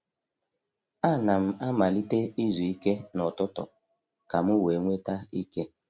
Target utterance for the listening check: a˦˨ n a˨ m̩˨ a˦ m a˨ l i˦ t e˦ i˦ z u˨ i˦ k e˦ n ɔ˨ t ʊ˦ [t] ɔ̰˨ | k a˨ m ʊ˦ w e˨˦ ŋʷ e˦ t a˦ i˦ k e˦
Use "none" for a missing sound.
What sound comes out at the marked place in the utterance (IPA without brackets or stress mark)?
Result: t